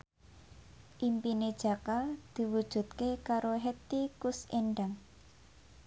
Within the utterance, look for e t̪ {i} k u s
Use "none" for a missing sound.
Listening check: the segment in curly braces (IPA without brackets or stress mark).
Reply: i